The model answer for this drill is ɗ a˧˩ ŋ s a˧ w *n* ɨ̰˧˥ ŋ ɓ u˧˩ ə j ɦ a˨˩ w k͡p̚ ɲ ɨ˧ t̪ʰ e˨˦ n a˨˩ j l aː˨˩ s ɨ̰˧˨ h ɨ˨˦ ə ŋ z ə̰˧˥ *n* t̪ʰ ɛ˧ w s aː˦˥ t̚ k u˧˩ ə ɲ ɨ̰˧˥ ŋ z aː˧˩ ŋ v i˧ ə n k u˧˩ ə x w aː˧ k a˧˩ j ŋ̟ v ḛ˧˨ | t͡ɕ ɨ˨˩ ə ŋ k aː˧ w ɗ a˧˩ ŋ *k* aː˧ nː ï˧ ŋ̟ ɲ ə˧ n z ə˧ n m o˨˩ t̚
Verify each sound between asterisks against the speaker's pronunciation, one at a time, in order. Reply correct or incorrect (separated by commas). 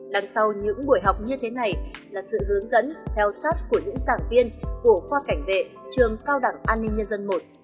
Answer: incorrect, correct, incorrect